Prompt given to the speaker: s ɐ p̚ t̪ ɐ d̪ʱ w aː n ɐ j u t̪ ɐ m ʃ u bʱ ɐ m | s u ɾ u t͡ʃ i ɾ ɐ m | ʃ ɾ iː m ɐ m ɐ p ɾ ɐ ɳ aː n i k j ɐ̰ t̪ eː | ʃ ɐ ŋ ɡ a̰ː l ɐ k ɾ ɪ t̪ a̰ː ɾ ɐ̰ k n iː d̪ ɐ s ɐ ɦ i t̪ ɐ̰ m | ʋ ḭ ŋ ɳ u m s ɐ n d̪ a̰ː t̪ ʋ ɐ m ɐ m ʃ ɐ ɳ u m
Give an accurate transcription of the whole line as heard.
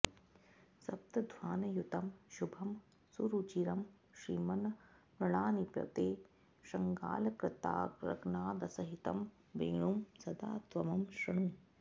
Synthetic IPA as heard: s ɐ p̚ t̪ ɐ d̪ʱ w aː n ɐ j u t̪ ɐ m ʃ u bʱ ɐ m | s u ɾ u t͡ʃ i ɾ ɐ m | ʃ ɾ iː m ɐ n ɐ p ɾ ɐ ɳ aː n i p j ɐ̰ t̪ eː | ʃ ɐ ŋ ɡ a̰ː l ɐ k ɾ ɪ t̪ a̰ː ɾ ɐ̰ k n aː d̪ ɐ s ɐ ɦ i t̪ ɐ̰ m | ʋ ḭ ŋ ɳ u m s ɐ d̪ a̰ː t̪ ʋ ɐ m ɐ m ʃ ɐ ɳ u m